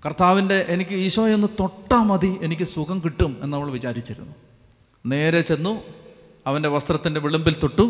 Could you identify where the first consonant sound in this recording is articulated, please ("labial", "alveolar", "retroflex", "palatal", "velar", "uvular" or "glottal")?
velar